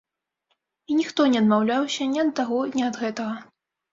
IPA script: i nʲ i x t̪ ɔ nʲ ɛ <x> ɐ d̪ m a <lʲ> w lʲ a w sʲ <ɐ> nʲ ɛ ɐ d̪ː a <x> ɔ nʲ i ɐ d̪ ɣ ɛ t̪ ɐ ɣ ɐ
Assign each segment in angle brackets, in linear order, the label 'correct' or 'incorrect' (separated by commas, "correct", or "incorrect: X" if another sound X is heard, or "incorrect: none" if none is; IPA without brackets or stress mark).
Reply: incorrect: none, incorrect: none, correct, incorrect: ɣ